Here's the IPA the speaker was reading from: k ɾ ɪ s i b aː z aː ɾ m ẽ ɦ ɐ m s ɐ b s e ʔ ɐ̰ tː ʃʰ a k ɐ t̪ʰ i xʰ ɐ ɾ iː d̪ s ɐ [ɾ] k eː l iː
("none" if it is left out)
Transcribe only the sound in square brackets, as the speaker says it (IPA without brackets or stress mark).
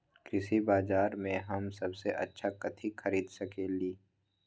none